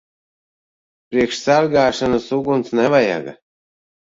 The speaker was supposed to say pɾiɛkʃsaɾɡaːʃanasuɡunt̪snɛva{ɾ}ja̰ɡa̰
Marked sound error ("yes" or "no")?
yes